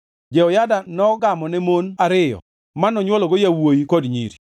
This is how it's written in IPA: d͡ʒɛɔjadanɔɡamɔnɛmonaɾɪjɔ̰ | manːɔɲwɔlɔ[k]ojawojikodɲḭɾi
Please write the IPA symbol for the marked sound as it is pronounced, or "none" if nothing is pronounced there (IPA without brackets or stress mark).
ɡ